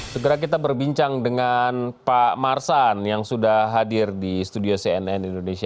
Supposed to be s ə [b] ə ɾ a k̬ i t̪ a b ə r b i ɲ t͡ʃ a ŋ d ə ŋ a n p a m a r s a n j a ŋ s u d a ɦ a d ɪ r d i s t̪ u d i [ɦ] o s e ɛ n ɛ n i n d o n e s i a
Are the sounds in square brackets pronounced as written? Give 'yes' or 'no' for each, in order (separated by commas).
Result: no, no